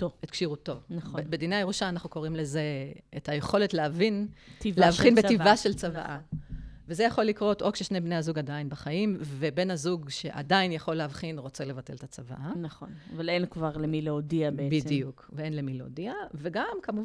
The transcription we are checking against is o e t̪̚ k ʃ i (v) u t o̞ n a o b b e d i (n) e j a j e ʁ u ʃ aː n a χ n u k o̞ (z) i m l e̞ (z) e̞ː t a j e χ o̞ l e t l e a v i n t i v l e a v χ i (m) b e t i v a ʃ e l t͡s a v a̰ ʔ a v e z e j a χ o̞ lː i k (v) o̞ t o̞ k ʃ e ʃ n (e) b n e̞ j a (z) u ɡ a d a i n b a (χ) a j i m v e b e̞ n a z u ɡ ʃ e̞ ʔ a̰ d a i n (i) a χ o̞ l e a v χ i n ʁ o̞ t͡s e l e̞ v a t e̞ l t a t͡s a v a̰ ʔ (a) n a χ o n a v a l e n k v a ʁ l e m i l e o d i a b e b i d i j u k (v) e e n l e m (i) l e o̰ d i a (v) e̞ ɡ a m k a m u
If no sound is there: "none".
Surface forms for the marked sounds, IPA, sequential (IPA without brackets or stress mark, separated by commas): ʁ, n, ʁ, z, n, ʁ, e, z, χ, j, a, v, i, v